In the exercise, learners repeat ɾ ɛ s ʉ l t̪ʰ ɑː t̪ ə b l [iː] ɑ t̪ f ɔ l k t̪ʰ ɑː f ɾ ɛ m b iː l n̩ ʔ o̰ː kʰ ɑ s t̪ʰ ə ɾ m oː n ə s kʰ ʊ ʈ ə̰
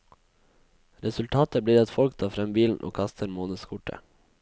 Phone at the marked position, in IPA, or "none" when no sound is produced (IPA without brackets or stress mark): iː